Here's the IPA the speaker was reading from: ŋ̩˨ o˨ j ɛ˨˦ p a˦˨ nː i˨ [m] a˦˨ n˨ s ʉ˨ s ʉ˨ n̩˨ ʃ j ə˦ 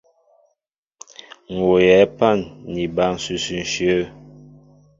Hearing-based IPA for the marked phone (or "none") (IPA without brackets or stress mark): b